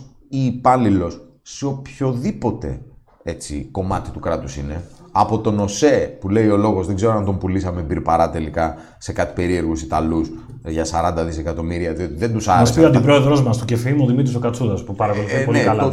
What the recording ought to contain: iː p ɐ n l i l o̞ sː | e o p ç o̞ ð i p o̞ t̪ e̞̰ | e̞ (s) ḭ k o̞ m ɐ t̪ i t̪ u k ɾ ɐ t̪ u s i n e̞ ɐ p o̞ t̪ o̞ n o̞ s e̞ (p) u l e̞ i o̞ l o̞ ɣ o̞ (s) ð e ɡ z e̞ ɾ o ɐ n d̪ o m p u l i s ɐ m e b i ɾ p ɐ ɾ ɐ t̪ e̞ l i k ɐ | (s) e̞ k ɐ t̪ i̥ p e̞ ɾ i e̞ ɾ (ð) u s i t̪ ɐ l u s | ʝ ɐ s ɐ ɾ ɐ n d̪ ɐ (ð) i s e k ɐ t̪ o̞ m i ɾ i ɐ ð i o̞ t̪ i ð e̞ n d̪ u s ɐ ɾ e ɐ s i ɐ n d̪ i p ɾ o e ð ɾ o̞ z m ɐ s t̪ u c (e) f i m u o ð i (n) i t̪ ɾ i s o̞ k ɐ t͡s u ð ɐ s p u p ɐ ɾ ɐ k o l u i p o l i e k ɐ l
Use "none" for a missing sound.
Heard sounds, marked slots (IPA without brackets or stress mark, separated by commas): t͡s, p, z, s, ɣ, ð, e, m